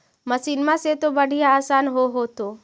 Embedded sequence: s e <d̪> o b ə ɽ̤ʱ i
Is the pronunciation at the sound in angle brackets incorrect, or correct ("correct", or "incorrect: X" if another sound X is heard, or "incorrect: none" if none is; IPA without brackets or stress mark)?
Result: incorrect: t̪